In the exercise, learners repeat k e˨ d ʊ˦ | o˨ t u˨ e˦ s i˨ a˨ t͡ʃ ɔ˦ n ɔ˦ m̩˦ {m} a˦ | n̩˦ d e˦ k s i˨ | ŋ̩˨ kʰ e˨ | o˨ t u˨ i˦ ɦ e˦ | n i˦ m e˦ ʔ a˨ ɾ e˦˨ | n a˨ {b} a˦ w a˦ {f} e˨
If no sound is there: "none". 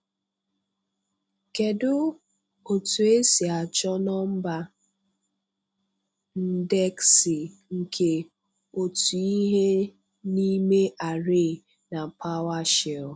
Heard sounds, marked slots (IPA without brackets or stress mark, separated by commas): b, p, ʃ